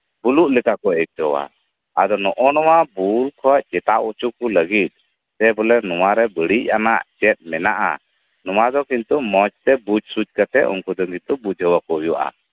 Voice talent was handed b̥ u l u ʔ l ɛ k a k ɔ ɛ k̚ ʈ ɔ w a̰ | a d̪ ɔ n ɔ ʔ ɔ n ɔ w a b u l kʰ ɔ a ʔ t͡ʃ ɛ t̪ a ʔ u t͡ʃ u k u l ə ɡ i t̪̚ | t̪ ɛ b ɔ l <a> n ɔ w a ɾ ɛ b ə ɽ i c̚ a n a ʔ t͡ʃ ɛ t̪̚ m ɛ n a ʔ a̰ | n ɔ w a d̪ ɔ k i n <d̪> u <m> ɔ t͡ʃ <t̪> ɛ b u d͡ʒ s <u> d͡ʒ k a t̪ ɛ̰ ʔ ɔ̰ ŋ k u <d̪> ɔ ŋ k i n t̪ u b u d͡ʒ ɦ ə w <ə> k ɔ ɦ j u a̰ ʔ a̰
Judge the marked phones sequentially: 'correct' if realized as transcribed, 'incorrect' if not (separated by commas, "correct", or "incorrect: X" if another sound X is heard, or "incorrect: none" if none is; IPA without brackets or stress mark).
incorrect: ɛ, incorrect: t̪, correct, correct, correct, correct, incorrect: a